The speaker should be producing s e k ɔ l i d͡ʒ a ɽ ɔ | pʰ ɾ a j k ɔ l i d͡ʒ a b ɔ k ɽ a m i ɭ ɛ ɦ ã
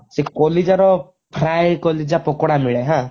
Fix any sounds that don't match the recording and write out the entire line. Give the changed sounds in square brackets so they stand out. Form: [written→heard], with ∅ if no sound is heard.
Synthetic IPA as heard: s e k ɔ l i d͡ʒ a [ɽ→ɾ] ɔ | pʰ ɾ a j k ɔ l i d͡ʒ a [b→p] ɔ k ɽ a m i ɭ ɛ ɦ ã